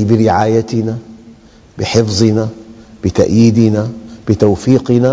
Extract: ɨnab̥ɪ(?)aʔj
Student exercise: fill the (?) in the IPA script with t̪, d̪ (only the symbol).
t̪